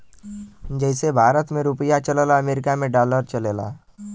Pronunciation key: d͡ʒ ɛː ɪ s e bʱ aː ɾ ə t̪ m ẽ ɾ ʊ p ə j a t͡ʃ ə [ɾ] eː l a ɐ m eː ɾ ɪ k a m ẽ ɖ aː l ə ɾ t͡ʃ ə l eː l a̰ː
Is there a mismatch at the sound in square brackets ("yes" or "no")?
yes